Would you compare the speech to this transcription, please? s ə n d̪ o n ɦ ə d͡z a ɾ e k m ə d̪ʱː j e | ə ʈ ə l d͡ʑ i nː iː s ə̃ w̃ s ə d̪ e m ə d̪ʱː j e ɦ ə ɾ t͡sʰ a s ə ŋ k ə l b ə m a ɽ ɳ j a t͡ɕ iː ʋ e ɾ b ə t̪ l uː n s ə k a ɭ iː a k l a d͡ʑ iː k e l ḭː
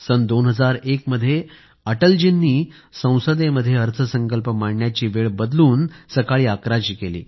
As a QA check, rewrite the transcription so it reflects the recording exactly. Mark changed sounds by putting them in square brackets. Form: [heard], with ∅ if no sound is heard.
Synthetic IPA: s ə n d̪ o n ɦ ə d͡z a ɾ e k m ə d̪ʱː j e | ə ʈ ə l d͡ʑ i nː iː s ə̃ w̃ s ə d̪ e m ə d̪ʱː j e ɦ ə ɾ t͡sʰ [ə] s ə ŋ k ə l [p] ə m a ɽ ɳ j a t͡ɕ iː ʋ e [ɭ] b ə [d̪] l uː n s ə k a ɭ iː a k [ɾ] a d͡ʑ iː k e l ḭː